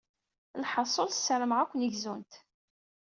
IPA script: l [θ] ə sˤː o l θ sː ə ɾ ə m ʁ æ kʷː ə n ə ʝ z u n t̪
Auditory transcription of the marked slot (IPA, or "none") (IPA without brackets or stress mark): ħ